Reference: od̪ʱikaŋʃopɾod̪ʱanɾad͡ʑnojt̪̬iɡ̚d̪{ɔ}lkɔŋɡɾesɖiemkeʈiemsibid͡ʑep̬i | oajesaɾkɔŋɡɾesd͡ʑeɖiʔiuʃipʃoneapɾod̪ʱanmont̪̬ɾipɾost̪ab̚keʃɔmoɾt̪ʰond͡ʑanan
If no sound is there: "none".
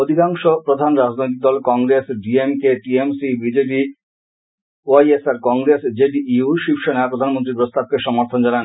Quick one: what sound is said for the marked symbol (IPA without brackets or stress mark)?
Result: ɔ